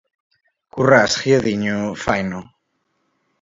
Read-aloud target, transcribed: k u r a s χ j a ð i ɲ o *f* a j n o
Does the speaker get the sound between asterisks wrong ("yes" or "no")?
no